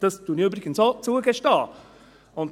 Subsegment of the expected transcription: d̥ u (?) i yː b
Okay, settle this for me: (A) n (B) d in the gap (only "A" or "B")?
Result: A